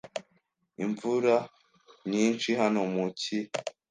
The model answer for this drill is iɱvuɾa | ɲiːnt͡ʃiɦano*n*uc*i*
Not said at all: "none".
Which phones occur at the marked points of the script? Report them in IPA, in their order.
m, i

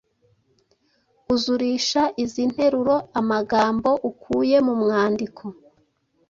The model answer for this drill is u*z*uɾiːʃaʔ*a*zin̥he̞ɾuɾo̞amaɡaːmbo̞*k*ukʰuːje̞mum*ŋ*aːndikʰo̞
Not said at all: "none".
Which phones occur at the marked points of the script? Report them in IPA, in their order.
z, i, ʔ, ŋ

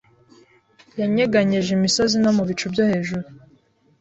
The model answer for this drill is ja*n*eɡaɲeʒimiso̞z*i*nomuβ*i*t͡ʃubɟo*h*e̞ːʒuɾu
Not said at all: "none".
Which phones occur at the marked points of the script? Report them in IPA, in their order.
ɲ, i, i, h

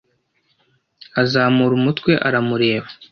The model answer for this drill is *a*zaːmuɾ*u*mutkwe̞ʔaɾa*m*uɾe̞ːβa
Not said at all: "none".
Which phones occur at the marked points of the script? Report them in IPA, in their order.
a, u, m

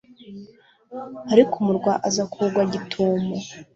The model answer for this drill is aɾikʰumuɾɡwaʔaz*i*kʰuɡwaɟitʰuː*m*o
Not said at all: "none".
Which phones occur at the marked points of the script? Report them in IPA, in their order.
a, m

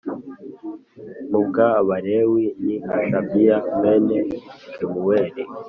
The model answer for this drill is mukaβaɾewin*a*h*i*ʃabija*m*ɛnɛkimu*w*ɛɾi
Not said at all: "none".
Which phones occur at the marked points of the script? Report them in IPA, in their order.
i, a, m, w

